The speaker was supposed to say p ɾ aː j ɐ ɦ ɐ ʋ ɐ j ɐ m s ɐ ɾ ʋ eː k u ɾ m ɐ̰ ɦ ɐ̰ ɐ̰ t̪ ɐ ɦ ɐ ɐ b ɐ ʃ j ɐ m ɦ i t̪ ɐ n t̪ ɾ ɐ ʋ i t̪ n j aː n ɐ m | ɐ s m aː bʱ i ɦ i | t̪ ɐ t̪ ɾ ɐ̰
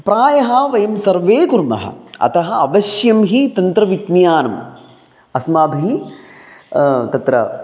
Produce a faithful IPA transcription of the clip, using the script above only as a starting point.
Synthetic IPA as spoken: p ɾ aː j ɐ ɦ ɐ ʋ ɐ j ɐ m s ɐ ɾ ʋ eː k u ɾ m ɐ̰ ɦ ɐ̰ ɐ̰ t̪ ɐ ɦ ɐ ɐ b ɐ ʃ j ɐ m ɦ i t̪ ɐ n t̪ ɾ ɐ ʋ i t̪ n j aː n ɐ m | ɐ s m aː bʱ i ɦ i | t̪ ɐ t̪ ɾ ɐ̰